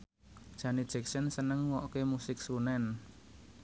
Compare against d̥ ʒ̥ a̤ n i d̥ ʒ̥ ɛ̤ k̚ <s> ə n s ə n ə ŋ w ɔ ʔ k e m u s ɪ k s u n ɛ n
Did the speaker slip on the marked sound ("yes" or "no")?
no